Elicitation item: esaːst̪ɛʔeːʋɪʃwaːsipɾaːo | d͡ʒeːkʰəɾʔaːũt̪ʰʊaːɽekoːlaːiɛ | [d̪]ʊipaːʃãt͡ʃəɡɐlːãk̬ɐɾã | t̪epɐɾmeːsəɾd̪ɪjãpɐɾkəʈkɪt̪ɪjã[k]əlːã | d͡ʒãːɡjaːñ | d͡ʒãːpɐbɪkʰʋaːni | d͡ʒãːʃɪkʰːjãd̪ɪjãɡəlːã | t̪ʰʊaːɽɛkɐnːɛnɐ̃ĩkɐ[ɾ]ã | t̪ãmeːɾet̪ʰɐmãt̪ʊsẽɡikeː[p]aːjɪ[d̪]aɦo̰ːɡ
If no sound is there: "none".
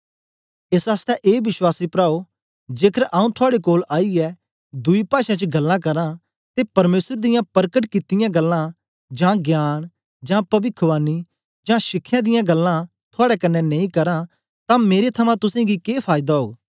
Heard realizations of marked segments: d̪, ɡ, ɾ, pʰ, d̪

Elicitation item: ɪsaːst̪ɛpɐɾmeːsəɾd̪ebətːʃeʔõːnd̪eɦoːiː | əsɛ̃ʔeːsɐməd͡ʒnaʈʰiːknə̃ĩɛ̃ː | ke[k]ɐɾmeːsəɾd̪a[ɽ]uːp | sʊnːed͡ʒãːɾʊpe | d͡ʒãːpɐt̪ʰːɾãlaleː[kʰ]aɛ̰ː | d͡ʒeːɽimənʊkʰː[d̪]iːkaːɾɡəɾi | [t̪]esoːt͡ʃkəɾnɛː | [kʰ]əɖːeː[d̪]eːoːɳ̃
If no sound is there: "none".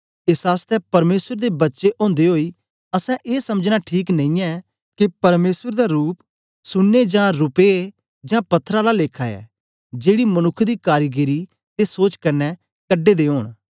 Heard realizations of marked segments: p, ɾ, kʰ, d̪, t̪, k, d̪

